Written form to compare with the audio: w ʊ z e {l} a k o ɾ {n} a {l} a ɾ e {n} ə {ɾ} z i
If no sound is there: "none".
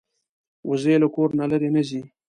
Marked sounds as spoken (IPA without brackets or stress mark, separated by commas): l, n, l, n, none